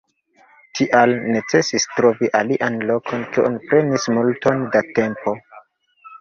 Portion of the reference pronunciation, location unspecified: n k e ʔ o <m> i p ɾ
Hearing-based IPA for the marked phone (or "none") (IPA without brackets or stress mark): n